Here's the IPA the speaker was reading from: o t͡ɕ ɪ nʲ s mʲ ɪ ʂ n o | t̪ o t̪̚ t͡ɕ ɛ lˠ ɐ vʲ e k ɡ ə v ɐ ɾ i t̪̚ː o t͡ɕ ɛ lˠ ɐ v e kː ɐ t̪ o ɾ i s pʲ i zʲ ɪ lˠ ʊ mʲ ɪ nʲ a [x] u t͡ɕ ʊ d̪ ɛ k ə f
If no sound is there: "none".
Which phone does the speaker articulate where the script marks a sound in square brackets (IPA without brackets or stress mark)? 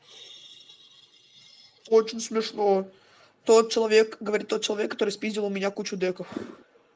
k